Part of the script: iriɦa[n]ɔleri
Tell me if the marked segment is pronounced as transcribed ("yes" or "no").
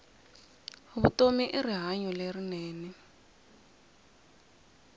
no